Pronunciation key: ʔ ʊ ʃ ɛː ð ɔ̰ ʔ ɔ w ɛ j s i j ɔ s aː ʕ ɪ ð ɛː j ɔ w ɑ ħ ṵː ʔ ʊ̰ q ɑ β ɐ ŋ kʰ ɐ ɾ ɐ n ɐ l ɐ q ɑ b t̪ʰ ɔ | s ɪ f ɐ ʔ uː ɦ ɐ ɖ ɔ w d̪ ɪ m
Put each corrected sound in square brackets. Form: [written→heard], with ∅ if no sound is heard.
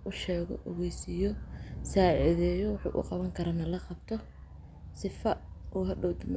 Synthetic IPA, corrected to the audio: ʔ ʊ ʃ ɛː [ð→ɣ] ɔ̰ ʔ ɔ [w→ɣ] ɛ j s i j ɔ s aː ʕ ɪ ð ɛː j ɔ w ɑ ħ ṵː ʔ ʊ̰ q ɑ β ɐ ŋ kʰ ɐ ɾ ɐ n ɐ l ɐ q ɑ b t̪ʰ ɔ | s ɪ f ɐ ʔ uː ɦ ɐ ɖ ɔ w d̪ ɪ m